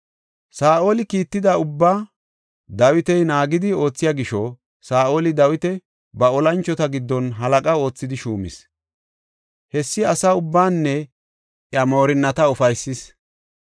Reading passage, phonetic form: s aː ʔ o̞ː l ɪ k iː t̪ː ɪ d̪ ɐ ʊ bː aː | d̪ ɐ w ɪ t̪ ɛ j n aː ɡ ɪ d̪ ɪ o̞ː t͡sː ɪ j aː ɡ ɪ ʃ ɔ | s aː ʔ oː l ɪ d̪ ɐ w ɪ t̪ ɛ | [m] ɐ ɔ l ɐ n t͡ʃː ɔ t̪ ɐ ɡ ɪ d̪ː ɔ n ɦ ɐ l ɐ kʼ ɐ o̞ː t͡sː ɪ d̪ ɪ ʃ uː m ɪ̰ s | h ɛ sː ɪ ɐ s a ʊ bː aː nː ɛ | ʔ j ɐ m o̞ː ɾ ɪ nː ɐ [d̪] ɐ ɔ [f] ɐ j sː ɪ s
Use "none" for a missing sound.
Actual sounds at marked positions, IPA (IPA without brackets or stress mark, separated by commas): b, t̪, f